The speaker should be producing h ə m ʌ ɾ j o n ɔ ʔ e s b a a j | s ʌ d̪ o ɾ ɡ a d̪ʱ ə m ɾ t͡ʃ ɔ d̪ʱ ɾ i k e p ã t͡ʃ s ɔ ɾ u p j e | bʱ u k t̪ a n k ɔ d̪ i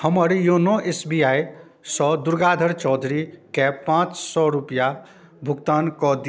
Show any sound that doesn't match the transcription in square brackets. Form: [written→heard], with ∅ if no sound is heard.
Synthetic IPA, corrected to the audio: h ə m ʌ ɾ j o n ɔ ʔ e s b [a→i] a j | s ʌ d̪ [o→u] ɾ ɡ a d̪ʱ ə [m→∅] ɾ t͡ʃ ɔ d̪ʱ ɾ i k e p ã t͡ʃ s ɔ ɾ u p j [e→a] | bʱ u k t̪ a n k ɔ d̪ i